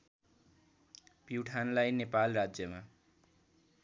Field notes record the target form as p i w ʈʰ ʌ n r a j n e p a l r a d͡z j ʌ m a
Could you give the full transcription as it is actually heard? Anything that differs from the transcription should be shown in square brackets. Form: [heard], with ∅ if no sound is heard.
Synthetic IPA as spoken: p i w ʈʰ [a] n [l] a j n e p a l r a d͡z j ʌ m a